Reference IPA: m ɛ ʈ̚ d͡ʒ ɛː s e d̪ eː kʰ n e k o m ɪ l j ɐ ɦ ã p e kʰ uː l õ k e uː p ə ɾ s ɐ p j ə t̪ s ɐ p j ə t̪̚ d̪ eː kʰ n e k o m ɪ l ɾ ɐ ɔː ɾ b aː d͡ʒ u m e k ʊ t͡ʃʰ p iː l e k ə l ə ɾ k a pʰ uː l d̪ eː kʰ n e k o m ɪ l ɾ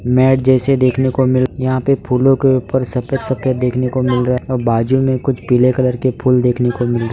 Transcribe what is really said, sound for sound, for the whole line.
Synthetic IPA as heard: m ɛː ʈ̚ d͡ʒ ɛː s e d̪ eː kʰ n e k o m ɪ l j ɐ ɦ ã p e pʰ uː l õ k e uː p ə ɾ s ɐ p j ə t̪ s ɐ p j ə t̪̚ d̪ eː kʰ n e k o m ɪ l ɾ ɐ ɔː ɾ b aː d͡ʒ u m ẽ k ʊ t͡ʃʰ p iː l e k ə l ə ɾ k e pʰ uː l d̪ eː kʰ n e k o m ɪ l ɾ